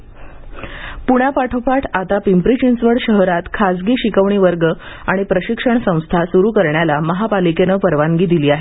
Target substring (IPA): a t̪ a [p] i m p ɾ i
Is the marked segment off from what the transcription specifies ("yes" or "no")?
no